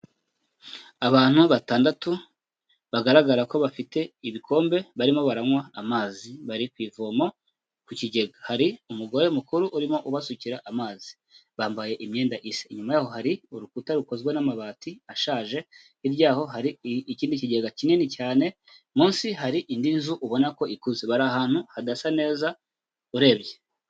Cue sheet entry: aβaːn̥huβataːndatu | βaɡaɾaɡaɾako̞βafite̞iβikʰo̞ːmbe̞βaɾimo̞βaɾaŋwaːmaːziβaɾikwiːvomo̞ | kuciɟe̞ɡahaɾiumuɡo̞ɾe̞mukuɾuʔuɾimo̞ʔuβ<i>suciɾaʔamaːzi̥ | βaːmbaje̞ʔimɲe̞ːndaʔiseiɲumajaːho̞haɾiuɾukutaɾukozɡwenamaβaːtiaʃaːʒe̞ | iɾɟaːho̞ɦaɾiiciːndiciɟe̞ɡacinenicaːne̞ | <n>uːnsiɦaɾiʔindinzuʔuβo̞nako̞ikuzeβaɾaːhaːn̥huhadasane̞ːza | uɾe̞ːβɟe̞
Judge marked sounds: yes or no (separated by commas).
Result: no, no